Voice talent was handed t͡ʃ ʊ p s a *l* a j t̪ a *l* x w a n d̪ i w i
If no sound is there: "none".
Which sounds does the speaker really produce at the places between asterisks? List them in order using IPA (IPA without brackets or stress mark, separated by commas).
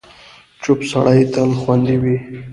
ɽ, l